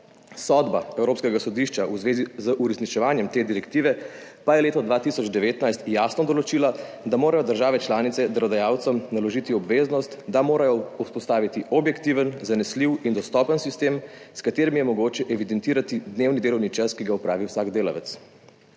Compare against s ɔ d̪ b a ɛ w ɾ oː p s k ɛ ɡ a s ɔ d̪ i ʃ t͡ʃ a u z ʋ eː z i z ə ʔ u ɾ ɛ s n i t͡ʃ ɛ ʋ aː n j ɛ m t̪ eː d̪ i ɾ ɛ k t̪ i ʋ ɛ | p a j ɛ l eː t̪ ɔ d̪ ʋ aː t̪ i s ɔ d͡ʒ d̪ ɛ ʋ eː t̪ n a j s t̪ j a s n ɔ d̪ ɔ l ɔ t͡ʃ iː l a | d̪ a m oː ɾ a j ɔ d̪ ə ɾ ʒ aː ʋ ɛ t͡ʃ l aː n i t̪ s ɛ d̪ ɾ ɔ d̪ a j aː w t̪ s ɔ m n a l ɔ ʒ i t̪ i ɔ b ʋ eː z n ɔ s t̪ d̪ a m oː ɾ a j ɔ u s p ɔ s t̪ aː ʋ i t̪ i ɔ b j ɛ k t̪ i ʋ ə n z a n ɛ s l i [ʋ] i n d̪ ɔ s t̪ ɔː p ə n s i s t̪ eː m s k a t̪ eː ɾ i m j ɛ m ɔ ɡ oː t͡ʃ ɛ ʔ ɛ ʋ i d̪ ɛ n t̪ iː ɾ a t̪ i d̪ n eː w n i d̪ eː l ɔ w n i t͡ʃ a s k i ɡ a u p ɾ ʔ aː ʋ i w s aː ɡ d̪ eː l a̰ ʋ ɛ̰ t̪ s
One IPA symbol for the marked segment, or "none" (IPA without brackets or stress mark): w